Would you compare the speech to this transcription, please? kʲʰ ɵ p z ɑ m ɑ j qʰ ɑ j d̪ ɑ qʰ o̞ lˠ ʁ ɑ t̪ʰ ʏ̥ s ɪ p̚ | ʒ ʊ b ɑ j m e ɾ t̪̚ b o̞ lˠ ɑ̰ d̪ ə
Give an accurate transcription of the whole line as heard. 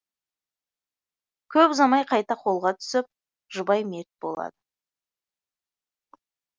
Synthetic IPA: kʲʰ ɵ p z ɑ m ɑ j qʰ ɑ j t̪ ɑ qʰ o̞ lˠ ʁ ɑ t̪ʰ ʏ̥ s ɪ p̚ | ʒ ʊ b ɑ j m e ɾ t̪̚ b o̞ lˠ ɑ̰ d̪ ə